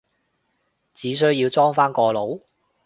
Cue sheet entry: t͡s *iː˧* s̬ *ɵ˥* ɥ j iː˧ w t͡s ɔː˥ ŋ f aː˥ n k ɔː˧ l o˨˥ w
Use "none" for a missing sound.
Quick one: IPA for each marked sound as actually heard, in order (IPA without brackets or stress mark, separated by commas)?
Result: iː˨˥, ɵ˥